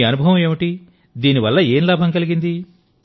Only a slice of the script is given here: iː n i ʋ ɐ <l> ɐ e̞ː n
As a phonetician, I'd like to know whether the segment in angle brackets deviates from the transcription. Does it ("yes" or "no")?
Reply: yes